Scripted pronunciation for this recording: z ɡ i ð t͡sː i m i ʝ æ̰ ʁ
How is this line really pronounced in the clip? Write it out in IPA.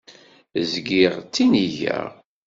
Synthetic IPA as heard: z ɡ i ʁ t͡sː i n i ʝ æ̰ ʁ